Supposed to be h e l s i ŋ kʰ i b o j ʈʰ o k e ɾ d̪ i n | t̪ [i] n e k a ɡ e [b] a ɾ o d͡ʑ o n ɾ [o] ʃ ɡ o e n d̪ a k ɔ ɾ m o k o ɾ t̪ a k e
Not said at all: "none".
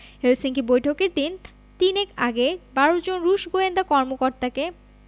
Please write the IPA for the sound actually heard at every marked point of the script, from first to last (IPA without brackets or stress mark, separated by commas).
i, b, u